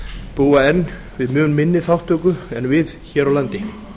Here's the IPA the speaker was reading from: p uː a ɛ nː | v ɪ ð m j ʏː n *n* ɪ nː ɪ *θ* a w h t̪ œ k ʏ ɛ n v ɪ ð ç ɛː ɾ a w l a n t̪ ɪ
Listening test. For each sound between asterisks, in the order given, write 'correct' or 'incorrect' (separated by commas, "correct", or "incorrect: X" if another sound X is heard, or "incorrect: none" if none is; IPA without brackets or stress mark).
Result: incorrect: m, correct